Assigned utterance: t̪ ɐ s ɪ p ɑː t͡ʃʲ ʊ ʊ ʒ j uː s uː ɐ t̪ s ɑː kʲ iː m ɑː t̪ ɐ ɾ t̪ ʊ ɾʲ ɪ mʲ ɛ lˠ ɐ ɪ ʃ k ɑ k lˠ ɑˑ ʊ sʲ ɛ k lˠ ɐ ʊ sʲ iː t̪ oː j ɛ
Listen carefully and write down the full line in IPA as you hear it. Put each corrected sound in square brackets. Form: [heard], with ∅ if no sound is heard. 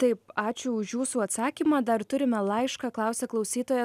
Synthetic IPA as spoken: t̪ ɐ [∅] ɪ p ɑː t͡ʃʲ ʊ ʊ [ʃ] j uː s uː ɐ t̪ s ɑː kʲ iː m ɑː [d̪] ɐ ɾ t̪ ʊ ɾʲ ɪ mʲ ɛ lˠ ɐ ɪ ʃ k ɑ k lˠ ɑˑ ʊ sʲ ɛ k lˠ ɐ ʊ sʲ iː t̪ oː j ɛ